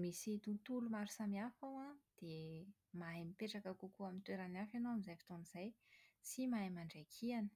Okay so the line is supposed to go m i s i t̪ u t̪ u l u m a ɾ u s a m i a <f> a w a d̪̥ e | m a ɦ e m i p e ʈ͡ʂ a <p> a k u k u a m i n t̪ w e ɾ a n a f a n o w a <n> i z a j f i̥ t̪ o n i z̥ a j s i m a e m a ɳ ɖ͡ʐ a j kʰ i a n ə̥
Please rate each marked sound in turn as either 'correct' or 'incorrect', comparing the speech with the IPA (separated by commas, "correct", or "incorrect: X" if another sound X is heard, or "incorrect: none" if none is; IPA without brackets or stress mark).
correct, incorrect: k, incorrect: m